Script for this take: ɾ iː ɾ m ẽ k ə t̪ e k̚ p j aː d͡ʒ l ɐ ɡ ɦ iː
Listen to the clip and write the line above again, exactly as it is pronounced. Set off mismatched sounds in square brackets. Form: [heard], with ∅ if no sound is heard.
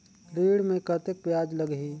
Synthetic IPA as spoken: ɾ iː [ɽ] m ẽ k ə t̪ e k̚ p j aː d͡ʒ l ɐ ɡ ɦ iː